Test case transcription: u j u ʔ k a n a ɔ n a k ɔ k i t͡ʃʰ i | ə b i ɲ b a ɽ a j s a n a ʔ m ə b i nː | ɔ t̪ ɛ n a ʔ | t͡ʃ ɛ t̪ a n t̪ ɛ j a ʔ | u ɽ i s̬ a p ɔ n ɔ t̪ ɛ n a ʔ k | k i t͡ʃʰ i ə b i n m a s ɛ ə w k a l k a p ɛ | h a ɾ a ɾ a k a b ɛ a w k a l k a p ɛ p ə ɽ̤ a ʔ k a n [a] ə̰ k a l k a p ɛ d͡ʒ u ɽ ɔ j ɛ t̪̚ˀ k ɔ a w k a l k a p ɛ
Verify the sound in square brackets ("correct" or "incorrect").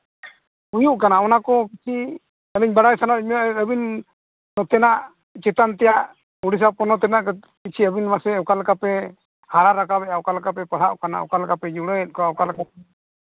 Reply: correct